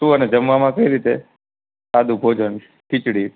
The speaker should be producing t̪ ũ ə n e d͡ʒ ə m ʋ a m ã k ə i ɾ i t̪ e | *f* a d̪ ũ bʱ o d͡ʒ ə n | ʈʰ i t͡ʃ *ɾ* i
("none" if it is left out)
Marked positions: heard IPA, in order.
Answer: s, ɽ

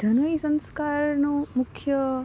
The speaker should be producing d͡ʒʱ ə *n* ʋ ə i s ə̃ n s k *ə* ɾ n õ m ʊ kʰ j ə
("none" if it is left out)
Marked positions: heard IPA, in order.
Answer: n, a

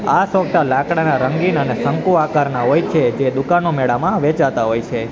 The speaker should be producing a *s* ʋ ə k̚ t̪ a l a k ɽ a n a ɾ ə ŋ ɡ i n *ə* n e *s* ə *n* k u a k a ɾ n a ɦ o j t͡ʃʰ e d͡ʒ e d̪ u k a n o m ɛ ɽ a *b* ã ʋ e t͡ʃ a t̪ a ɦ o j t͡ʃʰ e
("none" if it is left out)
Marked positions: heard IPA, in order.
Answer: s, ə, s, ŋ, m

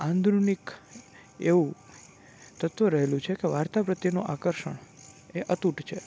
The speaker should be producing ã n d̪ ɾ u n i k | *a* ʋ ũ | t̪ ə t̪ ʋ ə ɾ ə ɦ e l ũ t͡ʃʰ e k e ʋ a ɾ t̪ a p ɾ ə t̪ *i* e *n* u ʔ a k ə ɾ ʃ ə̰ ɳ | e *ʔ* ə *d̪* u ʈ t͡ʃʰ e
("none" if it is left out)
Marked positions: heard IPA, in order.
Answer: e, j, n, ʔ, t̪

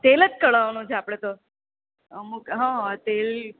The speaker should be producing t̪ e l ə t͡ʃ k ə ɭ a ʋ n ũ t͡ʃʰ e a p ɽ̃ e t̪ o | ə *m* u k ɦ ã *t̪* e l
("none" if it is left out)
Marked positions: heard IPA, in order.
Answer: m, t̪

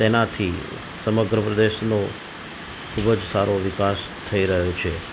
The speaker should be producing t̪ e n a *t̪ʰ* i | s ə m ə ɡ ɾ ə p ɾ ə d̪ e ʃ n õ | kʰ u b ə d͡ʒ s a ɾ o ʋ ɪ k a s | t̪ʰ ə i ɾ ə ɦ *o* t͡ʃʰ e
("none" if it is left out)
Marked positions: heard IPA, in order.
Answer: t̪ʰ, o

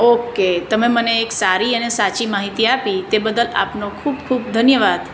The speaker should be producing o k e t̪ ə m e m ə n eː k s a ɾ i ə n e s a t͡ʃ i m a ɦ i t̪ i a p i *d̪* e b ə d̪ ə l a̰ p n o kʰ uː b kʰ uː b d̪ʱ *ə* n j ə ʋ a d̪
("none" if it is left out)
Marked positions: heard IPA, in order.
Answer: t̪, ə

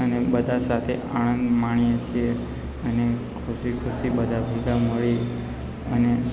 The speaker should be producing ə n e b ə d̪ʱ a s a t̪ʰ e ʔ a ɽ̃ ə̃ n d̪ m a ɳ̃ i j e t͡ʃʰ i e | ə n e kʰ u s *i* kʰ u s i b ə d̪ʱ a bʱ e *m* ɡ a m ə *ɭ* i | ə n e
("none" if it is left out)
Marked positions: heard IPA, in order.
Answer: i, none, ɭ

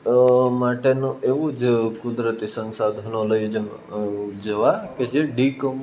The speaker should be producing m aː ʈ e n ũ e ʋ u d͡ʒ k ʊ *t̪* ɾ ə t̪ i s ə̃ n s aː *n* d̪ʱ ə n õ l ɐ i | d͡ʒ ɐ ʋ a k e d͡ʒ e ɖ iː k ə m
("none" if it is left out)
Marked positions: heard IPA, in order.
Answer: d̪, none

